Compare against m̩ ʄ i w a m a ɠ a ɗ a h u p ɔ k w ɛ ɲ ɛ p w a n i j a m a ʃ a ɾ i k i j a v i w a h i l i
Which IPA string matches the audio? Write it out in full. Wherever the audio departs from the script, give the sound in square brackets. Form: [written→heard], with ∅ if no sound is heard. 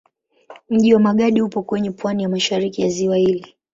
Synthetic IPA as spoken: m̩ ʄ i w a m a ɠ a ɗ [a→i] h u p ɔ k w ɛ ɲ ɛ p w a n i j a m a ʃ a ɾ i k i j a [v→z] i w a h i l i